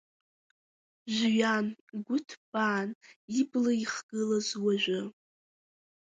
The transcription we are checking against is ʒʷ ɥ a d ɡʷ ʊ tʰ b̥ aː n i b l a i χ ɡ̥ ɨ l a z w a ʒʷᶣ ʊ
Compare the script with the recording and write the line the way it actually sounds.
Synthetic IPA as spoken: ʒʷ ɥ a n ɡʷ ʊ tʰ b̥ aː n i b l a i χ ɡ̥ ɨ l a z w a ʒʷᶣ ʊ